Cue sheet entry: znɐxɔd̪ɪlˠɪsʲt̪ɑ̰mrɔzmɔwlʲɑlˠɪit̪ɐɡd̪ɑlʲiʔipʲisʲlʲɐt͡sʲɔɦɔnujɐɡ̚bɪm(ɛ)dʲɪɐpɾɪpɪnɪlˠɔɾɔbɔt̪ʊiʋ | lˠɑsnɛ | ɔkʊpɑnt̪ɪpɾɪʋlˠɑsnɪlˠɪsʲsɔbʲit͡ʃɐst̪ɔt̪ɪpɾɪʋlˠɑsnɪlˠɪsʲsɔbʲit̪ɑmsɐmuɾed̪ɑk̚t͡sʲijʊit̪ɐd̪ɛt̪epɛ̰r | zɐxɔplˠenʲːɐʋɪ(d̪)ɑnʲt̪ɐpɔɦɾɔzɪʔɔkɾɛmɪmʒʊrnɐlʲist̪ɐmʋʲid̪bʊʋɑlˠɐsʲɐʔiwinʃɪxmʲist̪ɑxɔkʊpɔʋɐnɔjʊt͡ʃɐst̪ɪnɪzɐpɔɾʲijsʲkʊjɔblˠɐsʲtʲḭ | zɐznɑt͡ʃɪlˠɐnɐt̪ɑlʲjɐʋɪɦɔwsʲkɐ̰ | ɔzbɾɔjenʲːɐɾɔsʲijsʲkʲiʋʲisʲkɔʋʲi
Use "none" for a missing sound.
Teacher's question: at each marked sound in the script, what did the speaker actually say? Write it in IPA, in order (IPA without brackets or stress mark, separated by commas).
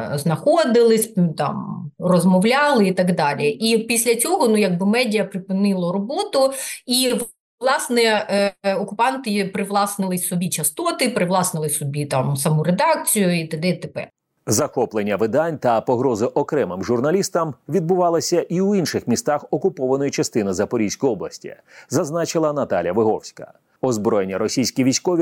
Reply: ɛ, d̪